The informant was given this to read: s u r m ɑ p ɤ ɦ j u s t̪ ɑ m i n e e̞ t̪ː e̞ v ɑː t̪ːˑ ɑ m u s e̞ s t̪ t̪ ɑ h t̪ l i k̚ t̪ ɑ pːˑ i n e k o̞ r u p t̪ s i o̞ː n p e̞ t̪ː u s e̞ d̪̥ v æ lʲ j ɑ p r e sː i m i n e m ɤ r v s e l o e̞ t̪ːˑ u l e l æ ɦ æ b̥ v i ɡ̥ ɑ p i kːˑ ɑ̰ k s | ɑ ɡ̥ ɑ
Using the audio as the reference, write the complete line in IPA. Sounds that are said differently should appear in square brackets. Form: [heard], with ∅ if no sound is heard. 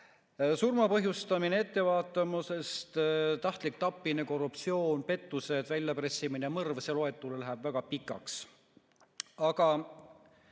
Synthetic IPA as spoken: s u r m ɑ p ɤ ɦ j u s t̪ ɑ m i n e e̞ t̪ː e̞ v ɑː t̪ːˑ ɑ m u s e̞ s t̪ t̪ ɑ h t̪ l i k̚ t̪ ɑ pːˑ i n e k o̞ r u p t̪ s i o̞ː n p e̞ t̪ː u s e̞ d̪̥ v æ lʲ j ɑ p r e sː i m i n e m ɤ r v s e l o e̞ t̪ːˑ u l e l æ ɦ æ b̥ v [æ] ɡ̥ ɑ p i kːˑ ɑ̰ k s | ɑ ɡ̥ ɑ

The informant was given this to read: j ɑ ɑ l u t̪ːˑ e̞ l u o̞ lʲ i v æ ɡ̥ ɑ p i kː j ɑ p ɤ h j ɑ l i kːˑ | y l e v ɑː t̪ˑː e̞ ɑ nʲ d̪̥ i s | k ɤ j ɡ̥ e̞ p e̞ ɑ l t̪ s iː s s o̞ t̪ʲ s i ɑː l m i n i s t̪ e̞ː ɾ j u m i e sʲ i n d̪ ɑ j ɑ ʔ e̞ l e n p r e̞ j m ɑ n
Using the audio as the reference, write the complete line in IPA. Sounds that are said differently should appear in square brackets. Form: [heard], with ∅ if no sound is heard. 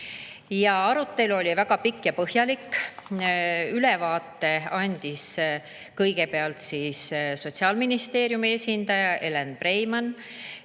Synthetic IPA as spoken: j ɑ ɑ [ɾ] u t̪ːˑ e̞ l u o̞ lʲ i v æ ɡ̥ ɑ p i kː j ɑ p ɤ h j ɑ l i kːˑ | y l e v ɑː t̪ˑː e̞ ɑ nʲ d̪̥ i s | k ɤ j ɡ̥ e̞ p e̞ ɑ l t̪ s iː s s o̞ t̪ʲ s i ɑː l m i n i s t̪ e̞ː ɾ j u m i e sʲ i n d̪ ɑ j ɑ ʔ e̞ l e n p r e̞ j m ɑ n

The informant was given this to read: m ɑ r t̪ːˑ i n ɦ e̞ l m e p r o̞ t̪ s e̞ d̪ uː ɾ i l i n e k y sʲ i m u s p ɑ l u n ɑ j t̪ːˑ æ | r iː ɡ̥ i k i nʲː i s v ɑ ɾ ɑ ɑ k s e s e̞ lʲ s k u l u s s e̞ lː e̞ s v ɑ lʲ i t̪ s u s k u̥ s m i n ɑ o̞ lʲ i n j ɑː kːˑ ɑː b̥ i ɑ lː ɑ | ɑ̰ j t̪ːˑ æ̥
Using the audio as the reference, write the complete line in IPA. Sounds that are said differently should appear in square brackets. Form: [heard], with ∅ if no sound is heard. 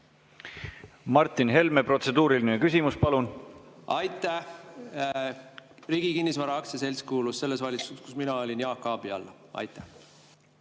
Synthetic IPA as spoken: m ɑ r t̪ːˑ i n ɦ e̞ l m e p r o̞ t̪ s e̞ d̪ uː ɾ i l i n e k y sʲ i m u s p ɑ l u n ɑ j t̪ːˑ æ | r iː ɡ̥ i k i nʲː i s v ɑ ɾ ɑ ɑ k s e s e̞ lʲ s k [uː] l u s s e̞ lː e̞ s v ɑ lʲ i t̪ s u s k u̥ s m i n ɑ o̞ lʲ i n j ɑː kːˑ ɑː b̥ i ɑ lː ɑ | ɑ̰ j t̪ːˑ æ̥

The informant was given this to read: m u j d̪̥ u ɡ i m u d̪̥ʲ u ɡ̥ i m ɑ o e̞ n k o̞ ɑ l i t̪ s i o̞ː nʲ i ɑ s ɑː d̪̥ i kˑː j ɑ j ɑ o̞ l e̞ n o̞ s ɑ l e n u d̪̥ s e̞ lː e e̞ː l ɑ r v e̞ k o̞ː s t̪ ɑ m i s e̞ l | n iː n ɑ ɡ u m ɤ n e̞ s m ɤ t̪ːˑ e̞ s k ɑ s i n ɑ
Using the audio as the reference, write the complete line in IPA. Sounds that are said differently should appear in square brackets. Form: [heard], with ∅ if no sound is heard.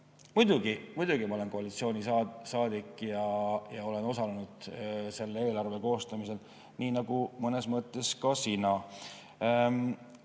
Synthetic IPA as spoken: m u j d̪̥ u ɡ i m u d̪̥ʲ u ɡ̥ i m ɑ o e̞ n k o̞ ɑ l i t̪ s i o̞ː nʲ i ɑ s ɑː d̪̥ i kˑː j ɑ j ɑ o̞ l e̞ n o̞ s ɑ l e n u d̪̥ s e̞ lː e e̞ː l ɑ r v e̞ k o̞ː s t̪ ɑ m i s e̞ l | n iː n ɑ ɡ u m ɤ n e̞ s m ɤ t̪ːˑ e̞ s k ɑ s i n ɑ

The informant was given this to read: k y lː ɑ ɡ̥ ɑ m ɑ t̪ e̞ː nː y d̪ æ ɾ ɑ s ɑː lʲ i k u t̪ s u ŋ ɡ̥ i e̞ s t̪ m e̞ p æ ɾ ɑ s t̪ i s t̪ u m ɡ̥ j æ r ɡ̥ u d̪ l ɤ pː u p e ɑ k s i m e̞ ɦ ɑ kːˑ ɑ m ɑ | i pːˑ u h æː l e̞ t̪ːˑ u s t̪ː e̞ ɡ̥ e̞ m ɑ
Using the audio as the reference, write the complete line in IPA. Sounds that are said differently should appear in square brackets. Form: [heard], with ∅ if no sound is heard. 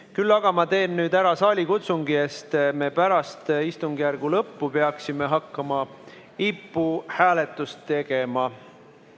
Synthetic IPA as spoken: k y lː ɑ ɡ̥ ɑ m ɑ t̪ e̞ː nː [yː] d̪ æ ɾ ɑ s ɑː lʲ i k u t̪ s u ŋ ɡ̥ i e̞ s t̪ m e̞ p æ ɾ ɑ s t̪ i s t̪ u [ŋ] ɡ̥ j æ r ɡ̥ u [∅] l ɤ pː u p e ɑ k s i m e̞ ɦ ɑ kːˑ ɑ m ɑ | i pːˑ u h æː l e̞ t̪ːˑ u s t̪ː e̞ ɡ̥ e̞ m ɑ

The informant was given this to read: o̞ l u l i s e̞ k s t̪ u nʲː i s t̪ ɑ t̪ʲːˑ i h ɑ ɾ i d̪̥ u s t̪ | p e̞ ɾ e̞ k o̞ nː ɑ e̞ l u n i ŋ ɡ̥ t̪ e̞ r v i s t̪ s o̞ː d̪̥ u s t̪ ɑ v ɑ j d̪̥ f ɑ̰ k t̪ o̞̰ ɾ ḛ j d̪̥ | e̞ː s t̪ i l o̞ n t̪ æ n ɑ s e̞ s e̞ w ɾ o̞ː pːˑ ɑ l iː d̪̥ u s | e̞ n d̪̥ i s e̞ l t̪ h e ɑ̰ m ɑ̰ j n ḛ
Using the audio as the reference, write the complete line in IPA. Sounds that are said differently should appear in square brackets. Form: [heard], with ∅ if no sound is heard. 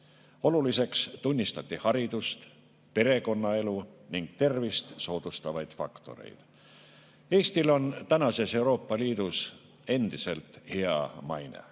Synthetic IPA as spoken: o̞ l u l i s e̞ k s t̪ u nʲː i s t̪ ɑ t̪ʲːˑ i h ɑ ɾ i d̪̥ u s t̪ | p e̞ ɾ e̞ k o̞ nː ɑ e̞ l u n i ŋ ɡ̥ t̪ e̞ r v i s t̪ s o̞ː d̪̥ u s t̪ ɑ v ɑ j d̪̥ f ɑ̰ k t̪ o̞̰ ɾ ḛ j d̪̥ | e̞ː s t̪ i l o̞ n t̪ æ n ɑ s e̞ s e̞ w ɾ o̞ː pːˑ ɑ l iː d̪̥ u s | e̞ n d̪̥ i s e̞ l t̪ h e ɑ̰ m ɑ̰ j n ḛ

